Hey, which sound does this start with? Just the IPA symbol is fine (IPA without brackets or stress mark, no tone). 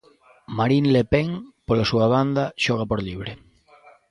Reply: m